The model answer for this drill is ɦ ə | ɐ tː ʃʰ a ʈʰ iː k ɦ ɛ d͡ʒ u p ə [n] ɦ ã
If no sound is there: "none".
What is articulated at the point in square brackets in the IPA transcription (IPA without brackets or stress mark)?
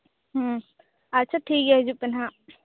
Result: n